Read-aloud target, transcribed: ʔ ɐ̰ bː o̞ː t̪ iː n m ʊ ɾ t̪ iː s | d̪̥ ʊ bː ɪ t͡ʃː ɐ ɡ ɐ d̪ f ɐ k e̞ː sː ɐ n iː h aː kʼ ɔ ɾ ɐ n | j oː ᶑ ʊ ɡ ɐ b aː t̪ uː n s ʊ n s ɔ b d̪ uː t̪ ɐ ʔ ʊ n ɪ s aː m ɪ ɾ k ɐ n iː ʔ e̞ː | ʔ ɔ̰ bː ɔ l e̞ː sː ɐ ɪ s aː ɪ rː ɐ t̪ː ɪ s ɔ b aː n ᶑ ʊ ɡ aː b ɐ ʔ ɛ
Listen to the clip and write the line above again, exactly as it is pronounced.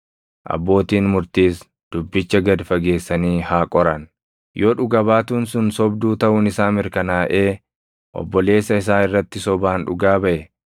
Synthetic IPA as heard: ʔ ɐ̰ bː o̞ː t̪ iː n m ʊ ɾ t̪ iː s | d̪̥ ʊ bː ɪ t͡ʃː ɐ ɡ ɐ d̪ f ɐ ɡ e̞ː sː ɐ n iː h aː kʼ ɔ ɾ ɐ n | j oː ᶑ ʊ ɡ ɐ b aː t̪ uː n s ʊ n s ɔ b d̪ uː t̪ ɐ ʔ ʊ n ɪ s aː m ɪ ɾ k ɐ n aː ʔ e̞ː | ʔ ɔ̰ bː ɔ l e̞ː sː ɐ ɪ s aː ɪ rː ɐ t̪ː ɪ s ɔ b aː n ᶑ ʊ ɡ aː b ɐ ʔ ɛ